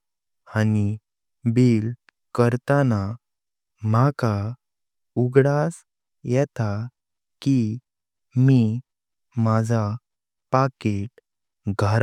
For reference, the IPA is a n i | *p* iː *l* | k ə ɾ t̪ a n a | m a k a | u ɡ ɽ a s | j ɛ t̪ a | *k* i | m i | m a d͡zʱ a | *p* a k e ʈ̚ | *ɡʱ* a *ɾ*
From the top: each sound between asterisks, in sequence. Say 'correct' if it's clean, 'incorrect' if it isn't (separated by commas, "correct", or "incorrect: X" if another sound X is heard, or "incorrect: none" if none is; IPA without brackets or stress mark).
incorrect: b, correct, correct, correct, correct, correct